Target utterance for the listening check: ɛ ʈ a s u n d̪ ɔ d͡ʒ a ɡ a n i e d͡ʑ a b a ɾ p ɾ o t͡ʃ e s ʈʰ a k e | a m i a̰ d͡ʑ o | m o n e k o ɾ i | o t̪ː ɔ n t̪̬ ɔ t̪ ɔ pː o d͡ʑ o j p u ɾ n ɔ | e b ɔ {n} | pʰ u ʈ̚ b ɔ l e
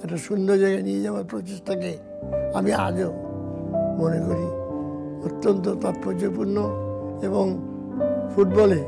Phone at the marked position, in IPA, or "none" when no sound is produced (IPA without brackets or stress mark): ŋ